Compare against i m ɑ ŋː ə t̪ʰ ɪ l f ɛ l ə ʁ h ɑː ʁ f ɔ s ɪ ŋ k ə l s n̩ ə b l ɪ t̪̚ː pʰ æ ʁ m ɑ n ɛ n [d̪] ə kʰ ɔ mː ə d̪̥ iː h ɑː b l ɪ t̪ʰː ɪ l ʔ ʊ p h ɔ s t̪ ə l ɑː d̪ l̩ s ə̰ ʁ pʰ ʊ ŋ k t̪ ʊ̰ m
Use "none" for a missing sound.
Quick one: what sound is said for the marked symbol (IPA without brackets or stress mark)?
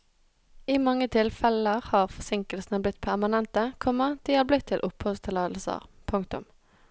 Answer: t̪